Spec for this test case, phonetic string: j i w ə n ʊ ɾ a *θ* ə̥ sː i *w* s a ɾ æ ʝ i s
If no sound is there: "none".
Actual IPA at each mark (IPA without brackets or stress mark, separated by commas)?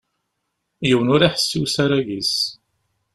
ħ, w